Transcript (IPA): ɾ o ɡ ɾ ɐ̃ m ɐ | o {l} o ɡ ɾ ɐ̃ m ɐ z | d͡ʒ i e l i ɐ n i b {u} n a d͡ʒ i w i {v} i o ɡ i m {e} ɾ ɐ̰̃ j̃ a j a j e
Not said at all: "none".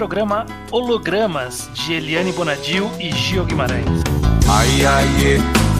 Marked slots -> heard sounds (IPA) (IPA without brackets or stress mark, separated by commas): l, o, ʒ, a